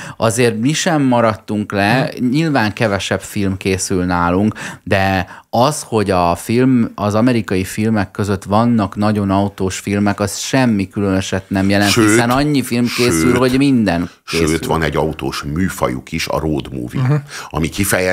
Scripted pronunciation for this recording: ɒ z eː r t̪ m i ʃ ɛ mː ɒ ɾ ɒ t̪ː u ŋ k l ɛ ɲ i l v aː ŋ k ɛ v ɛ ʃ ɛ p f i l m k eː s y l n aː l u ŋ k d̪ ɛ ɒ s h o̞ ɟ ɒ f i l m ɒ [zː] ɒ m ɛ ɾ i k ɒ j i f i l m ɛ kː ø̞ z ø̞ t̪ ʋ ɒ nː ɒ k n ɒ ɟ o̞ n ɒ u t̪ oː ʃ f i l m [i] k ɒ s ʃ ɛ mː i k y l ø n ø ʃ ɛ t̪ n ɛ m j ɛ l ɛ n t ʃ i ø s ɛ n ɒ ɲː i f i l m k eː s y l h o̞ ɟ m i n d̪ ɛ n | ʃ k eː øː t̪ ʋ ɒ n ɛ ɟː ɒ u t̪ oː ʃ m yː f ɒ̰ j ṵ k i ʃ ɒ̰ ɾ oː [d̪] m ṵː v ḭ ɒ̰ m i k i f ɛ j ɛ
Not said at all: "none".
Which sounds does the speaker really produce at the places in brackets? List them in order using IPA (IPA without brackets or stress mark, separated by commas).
z, ɛ, d̪